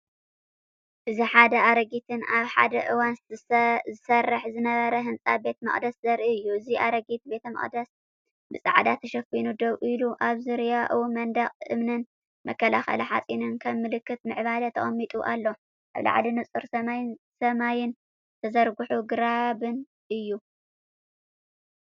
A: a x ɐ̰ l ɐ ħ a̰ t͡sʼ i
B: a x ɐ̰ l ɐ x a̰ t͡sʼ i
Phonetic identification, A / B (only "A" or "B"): A